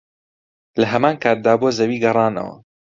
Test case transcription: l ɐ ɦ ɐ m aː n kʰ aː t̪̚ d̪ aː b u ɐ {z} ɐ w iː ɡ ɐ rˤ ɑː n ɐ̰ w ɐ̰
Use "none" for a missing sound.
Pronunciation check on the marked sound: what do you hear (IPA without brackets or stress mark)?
z